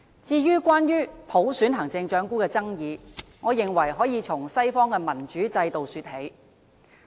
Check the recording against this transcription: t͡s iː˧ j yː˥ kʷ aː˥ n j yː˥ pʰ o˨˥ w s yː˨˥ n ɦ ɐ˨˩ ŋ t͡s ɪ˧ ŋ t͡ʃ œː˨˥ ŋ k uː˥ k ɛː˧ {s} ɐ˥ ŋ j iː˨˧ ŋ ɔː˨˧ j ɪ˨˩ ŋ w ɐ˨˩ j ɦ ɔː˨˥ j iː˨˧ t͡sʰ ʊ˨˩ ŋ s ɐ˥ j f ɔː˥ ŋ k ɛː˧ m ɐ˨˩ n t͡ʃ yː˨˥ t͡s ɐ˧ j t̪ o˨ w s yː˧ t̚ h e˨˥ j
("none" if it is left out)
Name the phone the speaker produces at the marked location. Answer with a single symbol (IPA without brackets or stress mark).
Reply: t͡s